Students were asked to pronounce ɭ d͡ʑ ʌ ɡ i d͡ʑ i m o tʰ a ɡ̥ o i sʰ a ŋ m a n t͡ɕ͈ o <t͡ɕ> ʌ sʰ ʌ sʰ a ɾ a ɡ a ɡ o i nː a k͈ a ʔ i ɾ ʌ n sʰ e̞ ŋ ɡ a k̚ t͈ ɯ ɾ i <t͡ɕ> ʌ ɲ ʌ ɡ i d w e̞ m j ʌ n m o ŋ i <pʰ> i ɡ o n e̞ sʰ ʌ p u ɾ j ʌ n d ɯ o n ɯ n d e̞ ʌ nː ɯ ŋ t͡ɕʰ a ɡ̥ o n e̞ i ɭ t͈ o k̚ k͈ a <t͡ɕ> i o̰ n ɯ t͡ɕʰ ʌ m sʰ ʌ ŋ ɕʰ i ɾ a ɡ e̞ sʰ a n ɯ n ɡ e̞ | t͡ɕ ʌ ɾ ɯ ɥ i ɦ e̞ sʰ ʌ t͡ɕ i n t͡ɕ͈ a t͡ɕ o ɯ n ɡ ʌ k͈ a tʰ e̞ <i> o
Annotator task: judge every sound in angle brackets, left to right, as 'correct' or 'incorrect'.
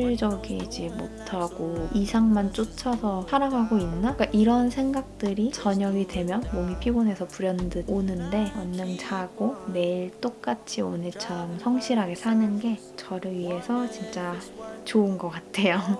incorrect: t͡ɕʰ, correct, correct, incorrect: t͡ɕʰ, incorrect: j

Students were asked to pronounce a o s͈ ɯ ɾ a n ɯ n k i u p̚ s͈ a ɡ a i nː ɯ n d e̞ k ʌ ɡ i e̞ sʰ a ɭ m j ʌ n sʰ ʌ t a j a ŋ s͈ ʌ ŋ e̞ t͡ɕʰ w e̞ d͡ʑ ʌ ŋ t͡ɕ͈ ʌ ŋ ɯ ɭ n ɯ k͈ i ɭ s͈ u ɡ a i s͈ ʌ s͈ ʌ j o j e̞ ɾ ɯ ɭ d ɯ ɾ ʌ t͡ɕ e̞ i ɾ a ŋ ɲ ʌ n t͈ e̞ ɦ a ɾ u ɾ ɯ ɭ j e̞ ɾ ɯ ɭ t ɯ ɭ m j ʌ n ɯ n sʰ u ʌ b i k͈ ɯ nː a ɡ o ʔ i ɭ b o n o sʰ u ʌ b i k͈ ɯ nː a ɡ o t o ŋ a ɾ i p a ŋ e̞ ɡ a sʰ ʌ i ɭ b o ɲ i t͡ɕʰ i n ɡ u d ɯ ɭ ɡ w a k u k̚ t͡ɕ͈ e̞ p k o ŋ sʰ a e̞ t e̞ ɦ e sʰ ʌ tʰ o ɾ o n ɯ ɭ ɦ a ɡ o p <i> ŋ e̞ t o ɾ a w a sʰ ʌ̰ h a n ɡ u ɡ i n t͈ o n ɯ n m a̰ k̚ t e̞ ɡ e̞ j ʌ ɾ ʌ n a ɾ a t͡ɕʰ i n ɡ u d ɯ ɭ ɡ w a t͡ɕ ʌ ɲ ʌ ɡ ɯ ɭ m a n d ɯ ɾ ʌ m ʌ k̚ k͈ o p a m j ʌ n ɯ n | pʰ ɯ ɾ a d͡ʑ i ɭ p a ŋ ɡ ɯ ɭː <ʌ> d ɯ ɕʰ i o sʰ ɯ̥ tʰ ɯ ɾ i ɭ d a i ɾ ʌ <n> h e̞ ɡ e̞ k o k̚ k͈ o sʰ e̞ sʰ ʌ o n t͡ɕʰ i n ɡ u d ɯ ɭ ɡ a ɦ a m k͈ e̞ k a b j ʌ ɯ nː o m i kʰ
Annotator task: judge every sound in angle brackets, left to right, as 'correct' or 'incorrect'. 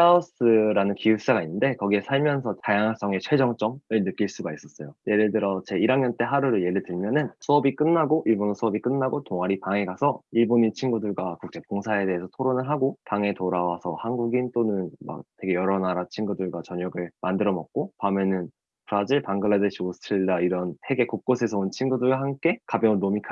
incorrect: a, incorrect: a, correct

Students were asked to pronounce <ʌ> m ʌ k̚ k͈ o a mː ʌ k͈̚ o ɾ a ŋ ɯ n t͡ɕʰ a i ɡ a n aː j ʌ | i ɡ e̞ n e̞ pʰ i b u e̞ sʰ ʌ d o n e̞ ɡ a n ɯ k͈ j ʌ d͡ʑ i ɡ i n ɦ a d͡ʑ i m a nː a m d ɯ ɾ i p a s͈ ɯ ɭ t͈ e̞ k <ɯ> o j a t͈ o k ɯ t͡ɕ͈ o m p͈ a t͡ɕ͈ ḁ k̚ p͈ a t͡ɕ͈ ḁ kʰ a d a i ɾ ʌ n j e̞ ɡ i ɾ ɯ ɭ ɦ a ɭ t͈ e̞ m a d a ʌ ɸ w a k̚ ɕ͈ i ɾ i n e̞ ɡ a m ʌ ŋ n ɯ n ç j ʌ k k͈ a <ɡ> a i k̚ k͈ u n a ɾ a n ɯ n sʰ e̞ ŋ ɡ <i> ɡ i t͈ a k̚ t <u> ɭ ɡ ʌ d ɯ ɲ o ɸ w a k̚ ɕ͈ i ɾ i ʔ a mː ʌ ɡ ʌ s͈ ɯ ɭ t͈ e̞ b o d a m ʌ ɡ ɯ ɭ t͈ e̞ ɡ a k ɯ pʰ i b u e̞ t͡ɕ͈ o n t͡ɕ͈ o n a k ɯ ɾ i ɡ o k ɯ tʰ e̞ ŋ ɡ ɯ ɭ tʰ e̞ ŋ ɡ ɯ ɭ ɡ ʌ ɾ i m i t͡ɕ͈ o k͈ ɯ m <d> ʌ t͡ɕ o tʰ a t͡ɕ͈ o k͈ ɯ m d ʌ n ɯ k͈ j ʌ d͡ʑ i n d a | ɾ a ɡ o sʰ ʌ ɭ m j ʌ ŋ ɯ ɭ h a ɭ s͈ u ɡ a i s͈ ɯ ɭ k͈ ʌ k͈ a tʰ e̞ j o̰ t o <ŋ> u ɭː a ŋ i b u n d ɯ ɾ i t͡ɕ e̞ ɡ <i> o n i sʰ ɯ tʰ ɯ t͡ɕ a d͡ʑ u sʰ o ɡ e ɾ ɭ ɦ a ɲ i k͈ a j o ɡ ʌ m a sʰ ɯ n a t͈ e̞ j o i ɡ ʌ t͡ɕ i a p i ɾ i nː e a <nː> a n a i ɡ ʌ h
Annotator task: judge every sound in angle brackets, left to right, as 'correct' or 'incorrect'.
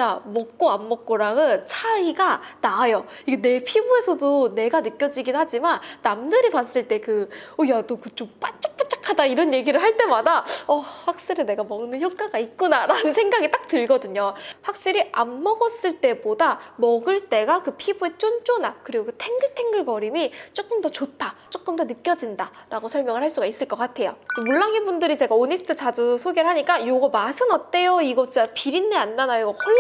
incorrect: a, correct, correct, incorrect: a, incorrect: ɯ, correct, incorrect: m, incorrect: a, correct

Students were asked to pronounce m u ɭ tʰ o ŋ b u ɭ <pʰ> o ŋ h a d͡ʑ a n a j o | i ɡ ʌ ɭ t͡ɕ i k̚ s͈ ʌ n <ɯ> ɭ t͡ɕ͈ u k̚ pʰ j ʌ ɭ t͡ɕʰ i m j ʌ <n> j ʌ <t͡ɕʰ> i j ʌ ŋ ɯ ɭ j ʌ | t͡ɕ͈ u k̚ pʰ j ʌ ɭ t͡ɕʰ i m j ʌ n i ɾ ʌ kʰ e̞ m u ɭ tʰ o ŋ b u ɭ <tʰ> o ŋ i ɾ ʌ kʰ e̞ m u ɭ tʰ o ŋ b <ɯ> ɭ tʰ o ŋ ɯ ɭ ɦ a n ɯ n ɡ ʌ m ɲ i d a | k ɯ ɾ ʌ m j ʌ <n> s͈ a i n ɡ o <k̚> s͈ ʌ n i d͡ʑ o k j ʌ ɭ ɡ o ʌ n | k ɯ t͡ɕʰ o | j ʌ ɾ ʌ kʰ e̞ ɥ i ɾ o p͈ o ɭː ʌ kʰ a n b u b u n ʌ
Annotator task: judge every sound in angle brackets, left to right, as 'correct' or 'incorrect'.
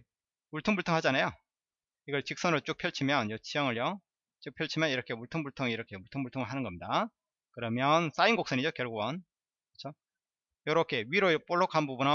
incorrect: tʰ, correct, correct, correct, correct, incorrect: u, correct, correct

